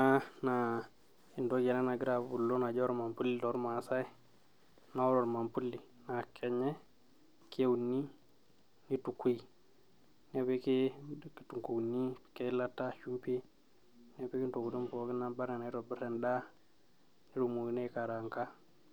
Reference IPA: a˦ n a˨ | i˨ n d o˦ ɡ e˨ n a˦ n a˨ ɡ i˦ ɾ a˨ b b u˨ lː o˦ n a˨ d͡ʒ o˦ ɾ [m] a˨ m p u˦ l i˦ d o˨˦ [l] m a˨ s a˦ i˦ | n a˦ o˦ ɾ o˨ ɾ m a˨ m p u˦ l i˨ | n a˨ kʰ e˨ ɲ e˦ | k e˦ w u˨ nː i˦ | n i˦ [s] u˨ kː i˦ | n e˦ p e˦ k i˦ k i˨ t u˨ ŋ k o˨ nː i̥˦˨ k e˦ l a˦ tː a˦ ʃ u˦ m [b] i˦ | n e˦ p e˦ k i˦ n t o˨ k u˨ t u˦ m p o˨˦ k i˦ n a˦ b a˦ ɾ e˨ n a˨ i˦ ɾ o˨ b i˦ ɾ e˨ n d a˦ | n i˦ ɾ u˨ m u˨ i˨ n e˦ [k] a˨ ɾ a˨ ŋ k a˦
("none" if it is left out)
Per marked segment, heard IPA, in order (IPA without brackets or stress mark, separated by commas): m, ɾ, t, p, k